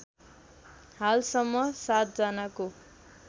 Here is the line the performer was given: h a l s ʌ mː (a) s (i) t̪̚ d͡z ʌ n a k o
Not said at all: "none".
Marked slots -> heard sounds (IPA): ʌ, a

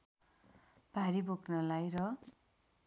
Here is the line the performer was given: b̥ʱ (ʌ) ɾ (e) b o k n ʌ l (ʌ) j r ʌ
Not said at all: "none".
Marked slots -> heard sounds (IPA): a, i, a

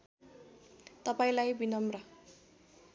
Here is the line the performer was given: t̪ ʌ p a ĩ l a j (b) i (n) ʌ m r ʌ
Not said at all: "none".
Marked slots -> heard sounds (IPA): b, n

